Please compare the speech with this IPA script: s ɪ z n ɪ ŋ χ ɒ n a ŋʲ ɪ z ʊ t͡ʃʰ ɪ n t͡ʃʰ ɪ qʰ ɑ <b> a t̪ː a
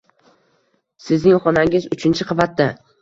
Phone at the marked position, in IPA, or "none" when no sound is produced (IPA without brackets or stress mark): v